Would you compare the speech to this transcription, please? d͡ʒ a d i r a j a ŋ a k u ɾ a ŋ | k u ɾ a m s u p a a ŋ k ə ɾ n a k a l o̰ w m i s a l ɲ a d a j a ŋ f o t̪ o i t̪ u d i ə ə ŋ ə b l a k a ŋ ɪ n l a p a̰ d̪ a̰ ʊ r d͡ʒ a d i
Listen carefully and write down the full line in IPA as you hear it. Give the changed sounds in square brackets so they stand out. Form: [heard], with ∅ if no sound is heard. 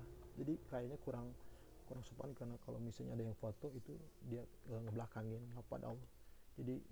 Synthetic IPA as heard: d͡ʒ a d i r a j a [ɲ] a k u ɾ a ŋ | k u ɾ a [ŋ] s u p a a [n] k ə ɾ n a k a l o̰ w m i s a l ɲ a d a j a ŋ f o t̪ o i t̪ u d i [a] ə ŋ ə b l a k a ŋ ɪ n l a p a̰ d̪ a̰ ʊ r d͡ʒ a d i